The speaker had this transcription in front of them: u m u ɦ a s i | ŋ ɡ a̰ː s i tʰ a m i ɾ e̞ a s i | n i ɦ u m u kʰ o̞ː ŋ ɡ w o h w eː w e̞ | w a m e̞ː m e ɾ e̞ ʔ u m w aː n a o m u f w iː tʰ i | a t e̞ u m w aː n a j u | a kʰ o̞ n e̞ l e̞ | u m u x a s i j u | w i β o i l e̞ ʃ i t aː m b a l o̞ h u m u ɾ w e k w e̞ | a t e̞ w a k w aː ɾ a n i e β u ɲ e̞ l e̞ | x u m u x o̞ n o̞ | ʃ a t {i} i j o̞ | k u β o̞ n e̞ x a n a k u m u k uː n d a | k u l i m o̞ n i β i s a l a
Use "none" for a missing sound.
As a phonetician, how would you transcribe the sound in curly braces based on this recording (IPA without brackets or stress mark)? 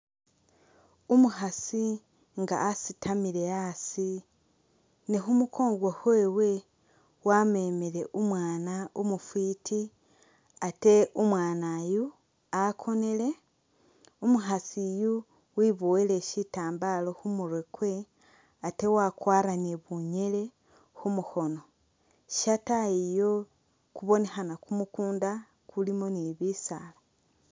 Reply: a